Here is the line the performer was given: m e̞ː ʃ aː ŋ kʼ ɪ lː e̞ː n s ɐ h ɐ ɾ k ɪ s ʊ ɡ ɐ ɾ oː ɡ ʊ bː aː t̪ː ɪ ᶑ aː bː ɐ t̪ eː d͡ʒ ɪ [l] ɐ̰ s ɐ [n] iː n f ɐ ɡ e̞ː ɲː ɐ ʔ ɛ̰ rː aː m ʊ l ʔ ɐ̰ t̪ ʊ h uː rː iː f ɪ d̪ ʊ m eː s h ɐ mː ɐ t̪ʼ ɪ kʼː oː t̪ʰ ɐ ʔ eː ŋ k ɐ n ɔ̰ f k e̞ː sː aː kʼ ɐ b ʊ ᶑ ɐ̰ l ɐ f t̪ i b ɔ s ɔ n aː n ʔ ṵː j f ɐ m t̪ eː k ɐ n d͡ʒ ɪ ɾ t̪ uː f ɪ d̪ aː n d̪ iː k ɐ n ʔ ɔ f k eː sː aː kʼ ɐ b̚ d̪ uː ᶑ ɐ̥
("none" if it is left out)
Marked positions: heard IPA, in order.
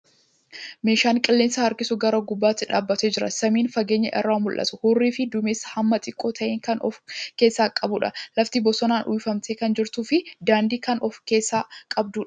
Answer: ɾ, m

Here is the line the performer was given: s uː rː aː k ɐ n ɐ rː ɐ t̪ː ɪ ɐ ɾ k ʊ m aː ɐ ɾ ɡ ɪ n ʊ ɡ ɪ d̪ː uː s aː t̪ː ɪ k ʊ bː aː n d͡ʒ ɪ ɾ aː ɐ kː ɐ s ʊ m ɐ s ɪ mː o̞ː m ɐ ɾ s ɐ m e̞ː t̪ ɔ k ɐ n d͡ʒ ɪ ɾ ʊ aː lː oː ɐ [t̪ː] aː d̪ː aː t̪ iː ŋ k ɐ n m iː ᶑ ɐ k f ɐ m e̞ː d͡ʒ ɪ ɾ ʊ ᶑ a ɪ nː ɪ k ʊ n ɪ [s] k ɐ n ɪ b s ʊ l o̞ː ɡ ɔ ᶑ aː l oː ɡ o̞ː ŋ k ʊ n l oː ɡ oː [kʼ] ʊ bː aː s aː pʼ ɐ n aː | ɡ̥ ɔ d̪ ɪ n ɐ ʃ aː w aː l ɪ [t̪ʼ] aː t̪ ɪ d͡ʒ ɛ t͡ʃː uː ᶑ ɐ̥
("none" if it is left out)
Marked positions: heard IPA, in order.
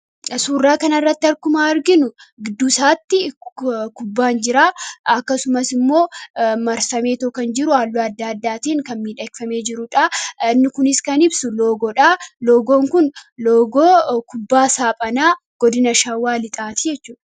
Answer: d̪ː, s, k, t̪ʼ

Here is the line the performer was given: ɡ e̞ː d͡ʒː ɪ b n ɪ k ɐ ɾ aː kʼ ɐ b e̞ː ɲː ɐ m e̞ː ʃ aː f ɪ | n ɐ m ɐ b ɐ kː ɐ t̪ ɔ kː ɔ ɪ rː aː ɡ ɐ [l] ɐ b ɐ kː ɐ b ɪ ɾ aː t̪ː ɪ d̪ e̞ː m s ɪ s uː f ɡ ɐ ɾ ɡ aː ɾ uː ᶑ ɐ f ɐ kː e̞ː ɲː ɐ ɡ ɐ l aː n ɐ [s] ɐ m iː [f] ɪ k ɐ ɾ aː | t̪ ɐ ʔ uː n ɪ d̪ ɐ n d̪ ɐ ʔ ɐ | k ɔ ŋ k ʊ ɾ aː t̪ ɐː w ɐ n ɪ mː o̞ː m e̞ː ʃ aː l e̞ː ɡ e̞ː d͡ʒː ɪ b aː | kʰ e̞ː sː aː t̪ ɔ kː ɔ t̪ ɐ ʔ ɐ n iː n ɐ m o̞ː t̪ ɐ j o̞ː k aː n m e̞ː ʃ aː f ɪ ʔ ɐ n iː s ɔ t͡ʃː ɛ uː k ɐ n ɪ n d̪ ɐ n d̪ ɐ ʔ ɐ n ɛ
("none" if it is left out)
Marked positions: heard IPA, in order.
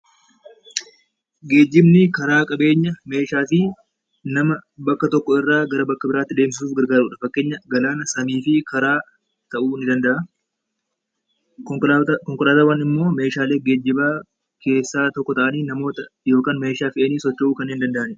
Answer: ɾ, s, f

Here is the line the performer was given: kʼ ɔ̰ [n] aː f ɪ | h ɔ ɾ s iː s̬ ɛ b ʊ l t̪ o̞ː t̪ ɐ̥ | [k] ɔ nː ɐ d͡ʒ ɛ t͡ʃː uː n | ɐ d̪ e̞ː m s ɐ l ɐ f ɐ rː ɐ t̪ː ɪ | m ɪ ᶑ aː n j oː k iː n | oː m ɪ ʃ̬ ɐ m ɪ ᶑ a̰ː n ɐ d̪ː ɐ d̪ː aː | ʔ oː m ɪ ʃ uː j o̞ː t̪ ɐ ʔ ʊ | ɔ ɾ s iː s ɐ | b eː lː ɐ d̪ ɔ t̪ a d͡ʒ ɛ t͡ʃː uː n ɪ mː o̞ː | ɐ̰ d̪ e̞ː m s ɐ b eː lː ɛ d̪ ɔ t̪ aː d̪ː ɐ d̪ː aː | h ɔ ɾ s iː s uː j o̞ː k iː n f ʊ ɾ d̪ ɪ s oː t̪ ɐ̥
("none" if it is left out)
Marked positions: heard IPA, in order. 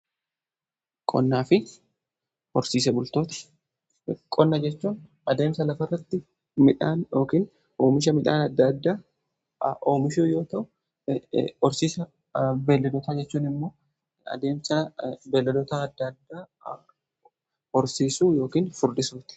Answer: nː, kʼ

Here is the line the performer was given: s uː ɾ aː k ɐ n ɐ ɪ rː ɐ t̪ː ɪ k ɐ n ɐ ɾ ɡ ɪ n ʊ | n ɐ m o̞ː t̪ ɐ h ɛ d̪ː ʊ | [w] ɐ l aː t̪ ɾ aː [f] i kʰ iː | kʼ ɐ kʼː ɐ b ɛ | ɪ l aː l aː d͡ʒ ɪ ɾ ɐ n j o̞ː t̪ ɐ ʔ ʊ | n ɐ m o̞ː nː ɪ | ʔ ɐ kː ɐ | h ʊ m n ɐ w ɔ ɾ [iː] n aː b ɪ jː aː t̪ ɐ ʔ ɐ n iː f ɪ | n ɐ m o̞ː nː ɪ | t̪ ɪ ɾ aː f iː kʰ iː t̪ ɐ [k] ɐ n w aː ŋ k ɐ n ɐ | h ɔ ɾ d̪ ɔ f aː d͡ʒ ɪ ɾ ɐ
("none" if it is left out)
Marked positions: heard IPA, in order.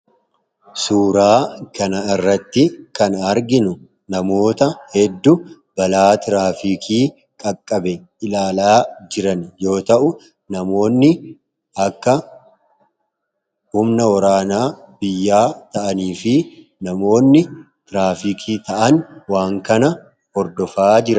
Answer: b, f, aː, ʔ

